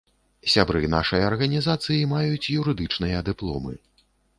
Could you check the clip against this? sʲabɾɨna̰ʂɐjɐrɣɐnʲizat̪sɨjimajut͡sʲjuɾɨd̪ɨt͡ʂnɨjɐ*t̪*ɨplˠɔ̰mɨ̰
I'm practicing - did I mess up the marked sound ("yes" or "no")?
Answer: yes